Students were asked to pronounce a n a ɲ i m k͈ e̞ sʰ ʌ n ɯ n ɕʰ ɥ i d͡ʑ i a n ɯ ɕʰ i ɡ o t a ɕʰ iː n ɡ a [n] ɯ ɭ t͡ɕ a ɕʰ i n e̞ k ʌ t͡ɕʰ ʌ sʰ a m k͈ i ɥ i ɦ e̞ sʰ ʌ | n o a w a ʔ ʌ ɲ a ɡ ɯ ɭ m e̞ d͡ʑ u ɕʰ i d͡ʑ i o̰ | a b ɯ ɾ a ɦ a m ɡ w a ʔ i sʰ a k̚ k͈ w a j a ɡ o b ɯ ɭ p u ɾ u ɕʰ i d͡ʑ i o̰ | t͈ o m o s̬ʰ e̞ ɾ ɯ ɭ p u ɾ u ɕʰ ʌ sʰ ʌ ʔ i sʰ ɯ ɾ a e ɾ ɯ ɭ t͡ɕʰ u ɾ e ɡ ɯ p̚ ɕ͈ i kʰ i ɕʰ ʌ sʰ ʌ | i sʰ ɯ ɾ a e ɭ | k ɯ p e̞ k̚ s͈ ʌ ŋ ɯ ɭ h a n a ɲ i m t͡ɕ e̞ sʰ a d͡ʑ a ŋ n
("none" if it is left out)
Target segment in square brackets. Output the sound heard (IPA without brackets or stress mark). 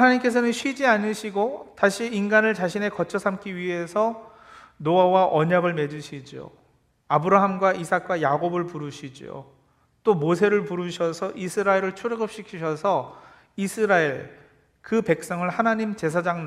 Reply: n